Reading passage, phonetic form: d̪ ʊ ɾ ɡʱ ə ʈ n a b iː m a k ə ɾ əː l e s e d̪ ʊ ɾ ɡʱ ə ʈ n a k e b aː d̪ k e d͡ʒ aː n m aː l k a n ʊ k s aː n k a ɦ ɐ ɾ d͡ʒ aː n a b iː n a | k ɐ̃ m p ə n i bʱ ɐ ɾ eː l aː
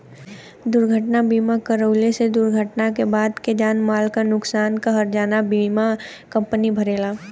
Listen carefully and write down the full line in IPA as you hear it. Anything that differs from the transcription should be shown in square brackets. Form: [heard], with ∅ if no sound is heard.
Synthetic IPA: d̪ ʊ ɾ ɡʱ ə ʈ n a b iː m a k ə ɾ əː l e s e d̪ ʊ ɾ ɡʱ ə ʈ n a k e b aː d̪ k e d͡ʒ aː n m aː l k a n ʊ k s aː n k a ɦ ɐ ɾ d͡ʒ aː n a b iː [m] a | k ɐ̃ m p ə n i bʱ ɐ ɾ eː l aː